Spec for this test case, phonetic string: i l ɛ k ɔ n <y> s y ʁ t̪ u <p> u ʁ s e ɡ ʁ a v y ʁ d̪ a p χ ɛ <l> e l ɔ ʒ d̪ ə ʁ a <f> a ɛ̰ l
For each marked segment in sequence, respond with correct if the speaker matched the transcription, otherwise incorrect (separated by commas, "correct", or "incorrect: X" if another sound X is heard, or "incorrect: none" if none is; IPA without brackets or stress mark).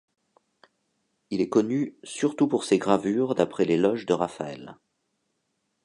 correct, correct, correct, correct